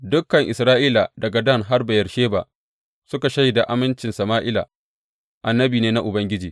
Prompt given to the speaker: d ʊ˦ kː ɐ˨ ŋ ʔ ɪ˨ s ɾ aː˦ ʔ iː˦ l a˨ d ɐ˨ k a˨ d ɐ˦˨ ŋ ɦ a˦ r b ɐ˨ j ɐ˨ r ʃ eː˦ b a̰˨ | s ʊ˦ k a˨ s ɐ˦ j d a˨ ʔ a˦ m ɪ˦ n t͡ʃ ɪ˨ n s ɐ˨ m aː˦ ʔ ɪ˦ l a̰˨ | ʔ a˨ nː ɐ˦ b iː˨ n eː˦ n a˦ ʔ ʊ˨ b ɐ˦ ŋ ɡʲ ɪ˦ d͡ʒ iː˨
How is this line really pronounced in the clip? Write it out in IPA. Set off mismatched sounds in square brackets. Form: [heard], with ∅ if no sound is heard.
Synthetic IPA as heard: d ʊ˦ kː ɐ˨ ŋ ʔ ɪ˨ s ɾ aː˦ ʔ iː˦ l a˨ d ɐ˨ [ɡ] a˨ d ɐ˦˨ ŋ ɦ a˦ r b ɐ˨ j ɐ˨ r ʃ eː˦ b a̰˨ | s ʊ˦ k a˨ [ʃ] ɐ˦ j d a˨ ʔ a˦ m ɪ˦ n t͡ʃ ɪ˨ n s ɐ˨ m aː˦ ʔ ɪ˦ l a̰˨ | ʔ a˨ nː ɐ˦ b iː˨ n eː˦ n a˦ ʔ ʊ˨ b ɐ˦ ŋ ɡʲ ɪ˦ d͡ʒ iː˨